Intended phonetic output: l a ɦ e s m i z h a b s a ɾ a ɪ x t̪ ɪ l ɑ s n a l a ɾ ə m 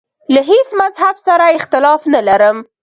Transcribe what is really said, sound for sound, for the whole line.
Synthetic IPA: l a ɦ e s m a z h a b s a ɾ a ɪ x t̪ ɪ l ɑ f n a l a ɾ ə m